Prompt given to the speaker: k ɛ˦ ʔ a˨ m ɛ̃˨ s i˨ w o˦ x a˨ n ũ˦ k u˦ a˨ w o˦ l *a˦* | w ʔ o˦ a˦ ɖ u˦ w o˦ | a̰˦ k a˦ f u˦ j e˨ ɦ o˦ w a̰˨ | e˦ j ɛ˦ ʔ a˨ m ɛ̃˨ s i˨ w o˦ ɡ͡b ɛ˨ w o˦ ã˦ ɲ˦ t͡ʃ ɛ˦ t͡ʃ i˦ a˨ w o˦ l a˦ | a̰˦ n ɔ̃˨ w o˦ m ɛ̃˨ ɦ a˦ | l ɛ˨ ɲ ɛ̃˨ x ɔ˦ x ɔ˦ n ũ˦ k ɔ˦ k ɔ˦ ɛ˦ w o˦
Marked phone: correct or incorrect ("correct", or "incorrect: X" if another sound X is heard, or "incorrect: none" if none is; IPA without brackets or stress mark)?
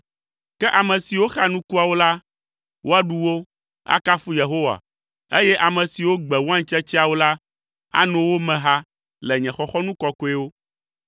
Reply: correct